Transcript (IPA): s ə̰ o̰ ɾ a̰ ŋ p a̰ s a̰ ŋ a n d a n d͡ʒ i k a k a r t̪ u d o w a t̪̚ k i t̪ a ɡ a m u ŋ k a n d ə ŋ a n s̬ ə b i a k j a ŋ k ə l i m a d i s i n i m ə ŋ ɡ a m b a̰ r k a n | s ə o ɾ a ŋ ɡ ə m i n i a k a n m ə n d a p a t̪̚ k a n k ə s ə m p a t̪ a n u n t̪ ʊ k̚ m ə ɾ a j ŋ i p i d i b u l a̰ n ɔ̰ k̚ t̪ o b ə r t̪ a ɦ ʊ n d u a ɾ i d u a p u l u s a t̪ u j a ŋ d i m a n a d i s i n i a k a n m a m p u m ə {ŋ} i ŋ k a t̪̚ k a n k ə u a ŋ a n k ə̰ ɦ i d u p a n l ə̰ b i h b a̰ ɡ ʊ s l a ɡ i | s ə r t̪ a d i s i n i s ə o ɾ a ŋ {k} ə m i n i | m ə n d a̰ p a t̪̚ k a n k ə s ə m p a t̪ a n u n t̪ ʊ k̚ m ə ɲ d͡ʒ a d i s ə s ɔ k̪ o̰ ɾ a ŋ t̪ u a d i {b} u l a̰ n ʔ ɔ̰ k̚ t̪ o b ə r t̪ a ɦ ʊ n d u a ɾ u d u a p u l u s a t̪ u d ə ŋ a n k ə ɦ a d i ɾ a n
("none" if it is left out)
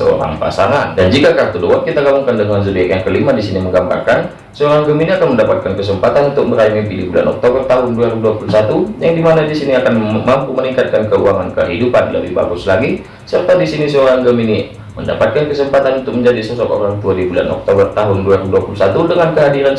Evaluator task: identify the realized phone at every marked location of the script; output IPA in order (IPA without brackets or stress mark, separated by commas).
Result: n, ɡ, b